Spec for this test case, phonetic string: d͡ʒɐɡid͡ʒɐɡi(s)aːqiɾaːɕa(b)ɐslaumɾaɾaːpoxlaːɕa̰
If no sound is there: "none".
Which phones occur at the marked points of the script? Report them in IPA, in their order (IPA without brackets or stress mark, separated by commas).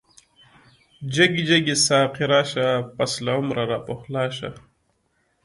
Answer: s, p